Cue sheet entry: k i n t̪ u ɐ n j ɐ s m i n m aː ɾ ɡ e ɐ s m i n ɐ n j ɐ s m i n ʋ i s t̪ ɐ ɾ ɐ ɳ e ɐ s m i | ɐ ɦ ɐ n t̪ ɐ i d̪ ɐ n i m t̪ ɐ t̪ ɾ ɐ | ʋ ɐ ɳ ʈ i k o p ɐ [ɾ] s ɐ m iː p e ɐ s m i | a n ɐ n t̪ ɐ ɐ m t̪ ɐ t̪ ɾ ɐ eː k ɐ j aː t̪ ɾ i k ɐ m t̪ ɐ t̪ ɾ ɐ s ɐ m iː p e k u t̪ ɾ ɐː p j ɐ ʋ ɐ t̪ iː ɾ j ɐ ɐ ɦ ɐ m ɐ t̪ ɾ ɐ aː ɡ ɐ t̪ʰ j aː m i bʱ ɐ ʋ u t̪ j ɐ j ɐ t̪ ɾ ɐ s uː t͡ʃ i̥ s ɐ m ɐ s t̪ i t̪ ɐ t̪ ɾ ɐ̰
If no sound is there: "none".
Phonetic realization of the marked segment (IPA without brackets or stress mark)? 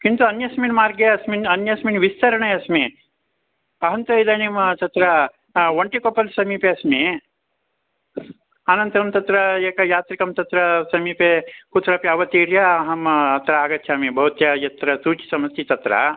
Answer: l